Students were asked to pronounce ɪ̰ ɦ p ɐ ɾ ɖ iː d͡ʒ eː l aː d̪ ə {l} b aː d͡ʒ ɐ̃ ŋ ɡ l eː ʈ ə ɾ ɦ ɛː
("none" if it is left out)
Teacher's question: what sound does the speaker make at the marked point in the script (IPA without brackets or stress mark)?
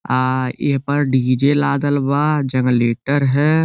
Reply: l